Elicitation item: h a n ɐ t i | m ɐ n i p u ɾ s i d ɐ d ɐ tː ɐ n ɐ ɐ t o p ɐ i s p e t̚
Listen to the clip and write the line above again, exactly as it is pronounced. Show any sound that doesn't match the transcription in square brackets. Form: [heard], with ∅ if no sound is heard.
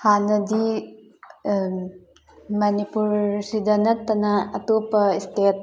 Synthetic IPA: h a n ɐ [d] i | m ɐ n i p u ɾ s i d ɐ [n] ɐ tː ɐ n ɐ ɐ t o p ɐ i s [t] e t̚